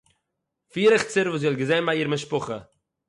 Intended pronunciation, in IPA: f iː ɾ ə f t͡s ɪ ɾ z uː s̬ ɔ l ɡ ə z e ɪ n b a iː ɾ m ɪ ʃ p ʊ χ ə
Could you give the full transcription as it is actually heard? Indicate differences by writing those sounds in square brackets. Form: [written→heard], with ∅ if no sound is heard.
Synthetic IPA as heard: f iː ɾ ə [f→χ] t͡s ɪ ɾ [z→v] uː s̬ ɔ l ɡ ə z e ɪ n b a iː ɾ m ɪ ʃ p ʊ χ ə